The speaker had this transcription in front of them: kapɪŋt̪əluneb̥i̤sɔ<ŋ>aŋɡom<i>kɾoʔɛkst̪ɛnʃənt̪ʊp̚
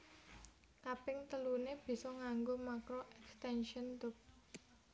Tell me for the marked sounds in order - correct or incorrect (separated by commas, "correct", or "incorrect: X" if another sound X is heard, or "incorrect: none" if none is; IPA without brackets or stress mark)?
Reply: correct, incorrect: a